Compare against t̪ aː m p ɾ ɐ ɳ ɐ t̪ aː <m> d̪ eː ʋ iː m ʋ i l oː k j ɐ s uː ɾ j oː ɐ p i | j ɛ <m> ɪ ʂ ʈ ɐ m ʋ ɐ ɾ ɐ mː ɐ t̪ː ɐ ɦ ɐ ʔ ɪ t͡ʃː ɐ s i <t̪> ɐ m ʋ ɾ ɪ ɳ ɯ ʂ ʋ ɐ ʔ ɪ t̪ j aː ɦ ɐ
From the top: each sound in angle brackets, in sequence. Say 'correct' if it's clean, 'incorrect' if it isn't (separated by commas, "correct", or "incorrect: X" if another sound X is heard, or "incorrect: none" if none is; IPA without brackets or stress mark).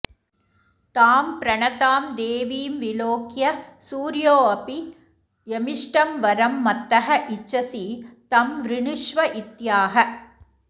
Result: correct, correct, correct